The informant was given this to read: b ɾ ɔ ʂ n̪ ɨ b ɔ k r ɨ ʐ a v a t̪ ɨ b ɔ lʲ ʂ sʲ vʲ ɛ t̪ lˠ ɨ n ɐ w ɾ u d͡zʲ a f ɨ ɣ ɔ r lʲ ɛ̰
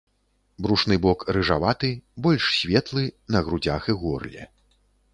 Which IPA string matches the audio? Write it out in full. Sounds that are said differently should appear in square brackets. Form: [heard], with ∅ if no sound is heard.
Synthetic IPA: b ɾ [u] ʂ n̪ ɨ b ɔ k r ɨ ʐ a v a t̪ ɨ b ɔ lʲ ʂ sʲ vʲ ɛ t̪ lˠ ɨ n ɐ [ɣ] ɾ u d͡zʲ a [x] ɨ ɣ ɔ r lʲ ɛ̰